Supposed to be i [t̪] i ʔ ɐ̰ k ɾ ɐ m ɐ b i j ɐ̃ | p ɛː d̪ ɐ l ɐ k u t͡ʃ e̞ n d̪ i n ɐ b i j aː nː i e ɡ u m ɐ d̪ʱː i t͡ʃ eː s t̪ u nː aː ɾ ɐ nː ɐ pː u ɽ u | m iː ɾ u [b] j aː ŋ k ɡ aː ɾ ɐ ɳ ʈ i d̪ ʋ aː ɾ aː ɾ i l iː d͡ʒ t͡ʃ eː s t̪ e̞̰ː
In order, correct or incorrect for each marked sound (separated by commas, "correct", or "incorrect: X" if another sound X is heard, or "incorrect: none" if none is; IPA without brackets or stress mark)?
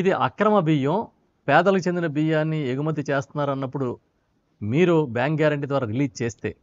incorrect: d̪, correct